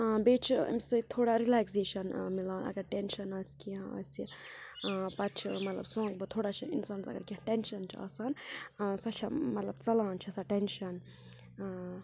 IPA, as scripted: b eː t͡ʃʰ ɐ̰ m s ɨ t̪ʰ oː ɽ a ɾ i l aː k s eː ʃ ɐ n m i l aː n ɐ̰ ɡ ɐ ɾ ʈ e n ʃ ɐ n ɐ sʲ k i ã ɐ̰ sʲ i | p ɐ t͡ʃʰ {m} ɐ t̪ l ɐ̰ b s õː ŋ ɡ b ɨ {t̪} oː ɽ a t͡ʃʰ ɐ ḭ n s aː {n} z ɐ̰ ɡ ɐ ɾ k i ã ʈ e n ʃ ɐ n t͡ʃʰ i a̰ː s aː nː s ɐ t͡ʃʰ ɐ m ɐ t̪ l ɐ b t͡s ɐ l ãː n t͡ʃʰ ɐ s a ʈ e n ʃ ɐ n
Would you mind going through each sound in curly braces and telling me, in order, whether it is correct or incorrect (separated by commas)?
correct, incorrect, correct